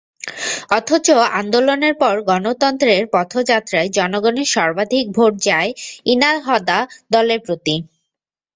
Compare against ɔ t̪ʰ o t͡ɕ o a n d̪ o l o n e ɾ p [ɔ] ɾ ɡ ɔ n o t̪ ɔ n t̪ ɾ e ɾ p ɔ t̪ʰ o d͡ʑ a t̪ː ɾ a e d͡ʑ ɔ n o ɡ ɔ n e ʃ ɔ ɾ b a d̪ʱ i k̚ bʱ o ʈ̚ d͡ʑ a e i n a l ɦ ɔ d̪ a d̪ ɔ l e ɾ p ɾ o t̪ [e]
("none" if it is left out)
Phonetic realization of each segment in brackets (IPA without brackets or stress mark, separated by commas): ɔ, i